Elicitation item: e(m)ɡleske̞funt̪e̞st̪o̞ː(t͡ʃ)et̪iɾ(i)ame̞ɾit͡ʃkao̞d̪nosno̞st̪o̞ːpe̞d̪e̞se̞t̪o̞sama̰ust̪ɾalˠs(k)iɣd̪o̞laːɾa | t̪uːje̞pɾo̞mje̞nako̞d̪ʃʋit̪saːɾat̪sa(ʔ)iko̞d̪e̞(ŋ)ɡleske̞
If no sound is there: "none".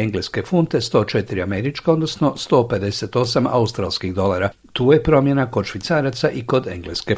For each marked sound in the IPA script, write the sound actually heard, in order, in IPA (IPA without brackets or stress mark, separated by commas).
ŋ, t͡ʃ, i, k, ʔ, ŋ